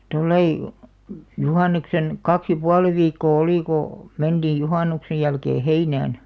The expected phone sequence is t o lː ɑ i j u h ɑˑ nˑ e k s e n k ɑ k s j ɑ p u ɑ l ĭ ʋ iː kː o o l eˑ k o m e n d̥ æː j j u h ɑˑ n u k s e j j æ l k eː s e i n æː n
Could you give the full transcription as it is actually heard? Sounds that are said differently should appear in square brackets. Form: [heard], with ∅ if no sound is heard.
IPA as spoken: t o lː ɑ i j u h ɑˑ nˑ e k s e n k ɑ k s j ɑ p u ɑ l ĭ ʋ iː kː [oː] o l [iˑ] k o m e n d̥ [iː] j j u h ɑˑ n u k s e j j æ l k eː [h] e i n æː n